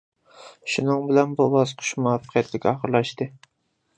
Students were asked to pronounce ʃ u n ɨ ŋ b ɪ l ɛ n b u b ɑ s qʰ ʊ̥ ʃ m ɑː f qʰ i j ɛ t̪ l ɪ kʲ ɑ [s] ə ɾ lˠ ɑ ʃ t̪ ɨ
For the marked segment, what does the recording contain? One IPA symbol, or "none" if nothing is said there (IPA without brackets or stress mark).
χ